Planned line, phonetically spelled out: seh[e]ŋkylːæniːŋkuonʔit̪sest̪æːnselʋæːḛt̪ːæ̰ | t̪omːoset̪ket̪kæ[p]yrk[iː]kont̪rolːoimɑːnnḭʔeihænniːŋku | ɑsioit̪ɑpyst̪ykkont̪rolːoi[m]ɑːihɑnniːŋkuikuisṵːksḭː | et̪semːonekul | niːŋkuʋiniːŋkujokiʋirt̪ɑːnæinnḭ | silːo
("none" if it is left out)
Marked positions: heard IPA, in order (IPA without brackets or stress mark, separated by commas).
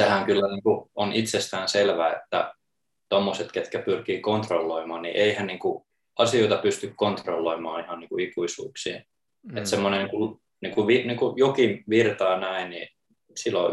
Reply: æ, p, iː, m